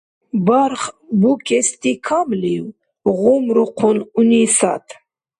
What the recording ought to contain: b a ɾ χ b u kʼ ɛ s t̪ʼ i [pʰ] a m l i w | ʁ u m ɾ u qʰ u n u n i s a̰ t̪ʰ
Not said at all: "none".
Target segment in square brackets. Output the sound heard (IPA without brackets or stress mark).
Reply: kʰ